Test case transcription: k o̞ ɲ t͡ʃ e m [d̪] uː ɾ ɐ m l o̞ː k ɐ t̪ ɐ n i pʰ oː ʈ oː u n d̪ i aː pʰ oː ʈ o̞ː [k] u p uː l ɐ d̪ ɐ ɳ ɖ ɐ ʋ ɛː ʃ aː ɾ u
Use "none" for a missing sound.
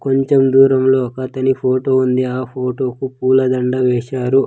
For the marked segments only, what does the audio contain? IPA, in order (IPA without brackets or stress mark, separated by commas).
d̪, k